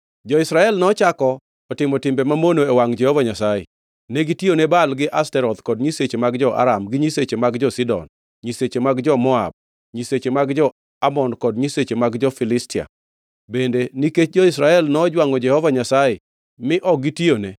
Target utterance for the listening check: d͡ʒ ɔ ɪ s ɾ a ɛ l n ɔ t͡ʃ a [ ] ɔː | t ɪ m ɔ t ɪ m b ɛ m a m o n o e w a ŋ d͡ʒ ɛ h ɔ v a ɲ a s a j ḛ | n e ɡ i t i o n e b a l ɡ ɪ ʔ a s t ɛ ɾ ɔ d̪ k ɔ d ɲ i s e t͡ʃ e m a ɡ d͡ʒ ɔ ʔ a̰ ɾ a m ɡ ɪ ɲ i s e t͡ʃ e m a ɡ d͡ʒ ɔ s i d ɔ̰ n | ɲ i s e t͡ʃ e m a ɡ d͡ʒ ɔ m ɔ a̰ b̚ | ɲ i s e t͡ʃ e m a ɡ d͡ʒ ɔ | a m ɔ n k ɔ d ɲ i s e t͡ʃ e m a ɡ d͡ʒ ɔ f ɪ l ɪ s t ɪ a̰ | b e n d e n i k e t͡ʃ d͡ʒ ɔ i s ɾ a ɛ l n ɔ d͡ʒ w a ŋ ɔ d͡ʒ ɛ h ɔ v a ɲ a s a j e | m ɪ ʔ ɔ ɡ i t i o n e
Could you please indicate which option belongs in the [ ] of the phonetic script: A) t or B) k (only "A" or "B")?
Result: B